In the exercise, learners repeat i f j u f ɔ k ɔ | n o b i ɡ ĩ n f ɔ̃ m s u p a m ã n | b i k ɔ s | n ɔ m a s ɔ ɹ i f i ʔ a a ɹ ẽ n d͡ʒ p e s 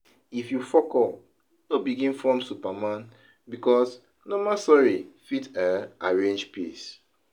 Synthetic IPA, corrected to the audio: i f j u f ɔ k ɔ | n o b i ɡ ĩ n f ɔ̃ m s u p a m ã n | b i k ɔ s | n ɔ m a s ɔ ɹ i f i t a a ɹ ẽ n d͡ʒ p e s